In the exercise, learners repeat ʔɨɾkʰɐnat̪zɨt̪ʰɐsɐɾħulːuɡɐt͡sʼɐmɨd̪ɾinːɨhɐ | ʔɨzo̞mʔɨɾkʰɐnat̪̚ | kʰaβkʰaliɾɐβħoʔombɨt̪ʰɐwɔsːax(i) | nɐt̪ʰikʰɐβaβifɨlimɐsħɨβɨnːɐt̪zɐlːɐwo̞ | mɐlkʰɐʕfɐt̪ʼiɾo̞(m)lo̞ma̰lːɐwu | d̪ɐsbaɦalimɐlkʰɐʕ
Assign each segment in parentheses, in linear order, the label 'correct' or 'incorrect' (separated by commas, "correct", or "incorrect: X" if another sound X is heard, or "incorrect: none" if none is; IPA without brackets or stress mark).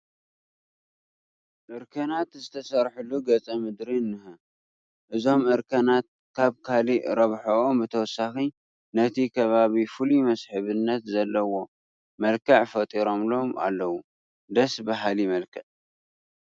correct, correct